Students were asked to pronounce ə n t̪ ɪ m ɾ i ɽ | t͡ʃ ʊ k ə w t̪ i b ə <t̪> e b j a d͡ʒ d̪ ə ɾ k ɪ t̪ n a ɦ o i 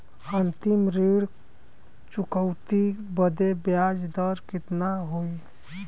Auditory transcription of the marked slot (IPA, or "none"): d̪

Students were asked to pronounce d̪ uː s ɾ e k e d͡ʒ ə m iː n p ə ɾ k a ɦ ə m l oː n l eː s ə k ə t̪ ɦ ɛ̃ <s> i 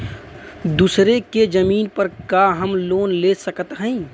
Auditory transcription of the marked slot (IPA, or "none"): none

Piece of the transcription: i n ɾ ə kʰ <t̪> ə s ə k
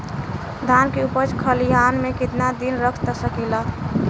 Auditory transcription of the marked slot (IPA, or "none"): t̪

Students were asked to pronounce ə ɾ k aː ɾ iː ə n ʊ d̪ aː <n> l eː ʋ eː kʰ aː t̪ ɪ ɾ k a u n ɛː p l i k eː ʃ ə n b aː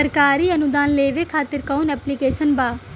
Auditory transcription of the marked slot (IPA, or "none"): n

